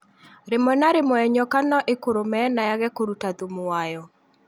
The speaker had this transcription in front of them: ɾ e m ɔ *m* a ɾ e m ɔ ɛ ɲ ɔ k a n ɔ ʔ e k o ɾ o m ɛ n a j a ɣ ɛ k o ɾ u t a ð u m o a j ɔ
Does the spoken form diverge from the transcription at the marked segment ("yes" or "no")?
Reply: yes